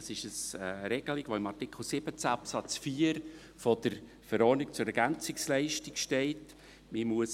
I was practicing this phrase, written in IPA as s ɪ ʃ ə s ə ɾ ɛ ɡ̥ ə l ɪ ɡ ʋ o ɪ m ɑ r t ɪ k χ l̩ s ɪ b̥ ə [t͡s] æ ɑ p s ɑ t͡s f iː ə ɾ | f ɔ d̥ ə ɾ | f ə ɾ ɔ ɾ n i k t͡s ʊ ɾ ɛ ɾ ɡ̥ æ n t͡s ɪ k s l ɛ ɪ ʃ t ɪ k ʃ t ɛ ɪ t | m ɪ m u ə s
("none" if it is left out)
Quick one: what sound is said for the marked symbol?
t͡s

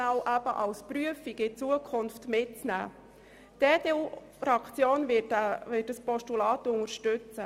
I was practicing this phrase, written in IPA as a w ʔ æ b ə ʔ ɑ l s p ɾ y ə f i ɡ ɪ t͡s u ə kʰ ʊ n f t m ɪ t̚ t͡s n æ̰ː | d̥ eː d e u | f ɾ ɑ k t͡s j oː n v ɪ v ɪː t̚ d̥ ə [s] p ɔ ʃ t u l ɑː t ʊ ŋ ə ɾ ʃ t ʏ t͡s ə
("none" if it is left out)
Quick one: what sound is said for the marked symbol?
s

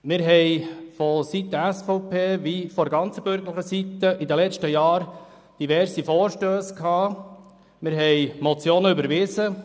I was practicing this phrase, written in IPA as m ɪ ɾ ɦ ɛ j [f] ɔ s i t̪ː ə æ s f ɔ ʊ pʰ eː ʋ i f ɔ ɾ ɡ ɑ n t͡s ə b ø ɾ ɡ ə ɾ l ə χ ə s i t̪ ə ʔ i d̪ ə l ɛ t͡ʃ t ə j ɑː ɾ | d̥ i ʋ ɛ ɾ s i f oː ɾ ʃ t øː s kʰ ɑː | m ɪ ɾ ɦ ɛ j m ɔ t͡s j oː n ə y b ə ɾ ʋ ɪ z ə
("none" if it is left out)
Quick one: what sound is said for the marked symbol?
f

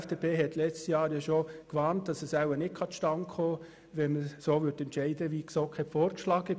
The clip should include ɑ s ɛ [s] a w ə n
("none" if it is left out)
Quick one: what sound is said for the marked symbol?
s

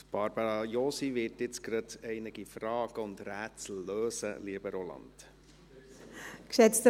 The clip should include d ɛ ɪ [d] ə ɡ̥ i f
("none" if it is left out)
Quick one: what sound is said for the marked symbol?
n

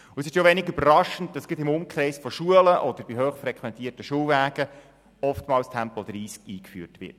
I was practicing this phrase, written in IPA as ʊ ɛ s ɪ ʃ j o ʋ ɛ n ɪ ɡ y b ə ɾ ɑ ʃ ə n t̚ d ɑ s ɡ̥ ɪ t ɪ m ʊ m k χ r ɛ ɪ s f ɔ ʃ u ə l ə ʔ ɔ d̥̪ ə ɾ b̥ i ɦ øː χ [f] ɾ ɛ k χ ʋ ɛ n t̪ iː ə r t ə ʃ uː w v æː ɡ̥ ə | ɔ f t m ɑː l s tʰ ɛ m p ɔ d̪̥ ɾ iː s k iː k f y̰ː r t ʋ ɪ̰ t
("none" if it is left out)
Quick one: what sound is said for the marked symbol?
f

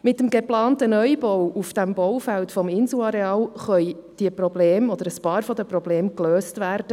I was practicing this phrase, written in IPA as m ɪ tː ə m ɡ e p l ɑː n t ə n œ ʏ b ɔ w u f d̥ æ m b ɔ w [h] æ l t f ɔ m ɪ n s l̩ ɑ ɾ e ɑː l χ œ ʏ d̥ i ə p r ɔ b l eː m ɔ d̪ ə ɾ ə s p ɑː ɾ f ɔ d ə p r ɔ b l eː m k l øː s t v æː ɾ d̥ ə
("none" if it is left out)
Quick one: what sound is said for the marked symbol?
f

